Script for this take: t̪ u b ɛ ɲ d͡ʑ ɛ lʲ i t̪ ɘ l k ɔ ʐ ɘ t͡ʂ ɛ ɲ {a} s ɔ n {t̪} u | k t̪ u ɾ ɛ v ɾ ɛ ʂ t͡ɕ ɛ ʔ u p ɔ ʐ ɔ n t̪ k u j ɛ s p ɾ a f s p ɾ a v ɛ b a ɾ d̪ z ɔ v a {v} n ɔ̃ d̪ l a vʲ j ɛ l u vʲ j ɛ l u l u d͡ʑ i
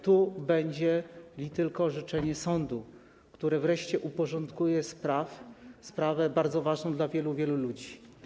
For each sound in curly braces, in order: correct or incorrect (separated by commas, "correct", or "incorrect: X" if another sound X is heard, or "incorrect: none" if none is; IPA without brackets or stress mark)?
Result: incorrect: ɛ, incorrect: d̪, incorrect: ʐ